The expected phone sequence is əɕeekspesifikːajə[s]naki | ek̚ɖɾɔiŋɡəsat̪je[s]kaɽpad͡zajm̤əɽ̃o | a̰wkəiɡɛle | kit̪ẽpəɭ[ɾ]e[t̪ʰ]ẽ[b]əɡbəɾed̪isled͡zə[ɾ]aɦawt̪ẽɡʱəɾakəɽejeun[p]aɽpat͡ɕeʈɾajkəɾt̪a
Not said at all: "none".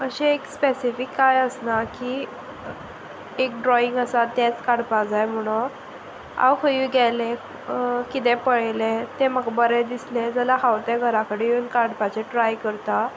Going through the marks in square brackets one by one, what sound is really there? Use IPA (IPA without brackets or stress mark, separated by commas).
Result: s, t͡s, l, t̪, m, l, k